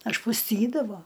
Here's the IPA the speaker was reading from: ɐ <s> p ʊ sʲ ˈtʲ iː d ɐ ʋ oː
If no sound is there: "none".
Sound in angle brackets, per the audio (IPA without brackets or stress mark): ʃ